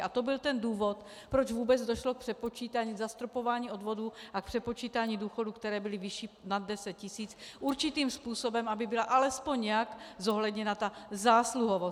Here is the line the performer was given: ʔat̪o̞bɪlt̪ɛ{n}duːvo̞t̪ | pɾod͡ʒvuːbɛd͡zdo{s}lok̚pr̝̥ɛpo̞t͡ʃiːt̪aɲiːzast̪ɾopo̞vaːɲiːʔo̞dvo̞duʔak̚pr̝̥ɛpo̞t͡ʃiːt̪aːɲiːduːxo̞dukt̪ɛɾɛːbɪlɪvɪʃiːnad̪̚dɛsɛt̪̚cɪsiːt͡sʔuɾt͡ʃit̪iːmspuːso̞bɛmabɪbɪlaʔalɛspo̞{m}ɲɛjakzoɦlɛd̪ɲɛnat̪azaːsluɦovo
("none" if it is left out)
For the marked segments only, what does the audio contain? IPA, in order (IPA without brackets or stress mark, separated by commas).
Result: n, ʃ, ɲ